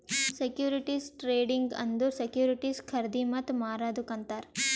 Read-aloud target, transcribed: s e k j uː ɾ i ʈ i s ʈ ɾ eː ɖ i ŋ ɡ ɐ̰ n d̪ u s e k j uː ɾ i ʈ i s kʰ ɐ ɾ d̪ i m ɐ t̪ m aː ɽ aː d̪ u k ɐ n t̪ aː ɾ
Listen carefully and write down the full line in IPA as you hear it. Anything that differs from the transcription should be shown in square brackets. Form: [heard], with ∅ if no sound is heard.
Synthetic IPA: s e k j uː ɾ i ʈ i s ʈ ɾ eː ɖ i ŋ ɡ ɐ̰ n d̪ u s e k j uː ɾ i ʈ i s kʰ ɐ ɾ d̪ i m ɐ t̪ m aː [ɾ] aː d̪ u k ɐ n t̪ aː ɾ